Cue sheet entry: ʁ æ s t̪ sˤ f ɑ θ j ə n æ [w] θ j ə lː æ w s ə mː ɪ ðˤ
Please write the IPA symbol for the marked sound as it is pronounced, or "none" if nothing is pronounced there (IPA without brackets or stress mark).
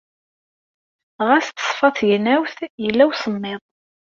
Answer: w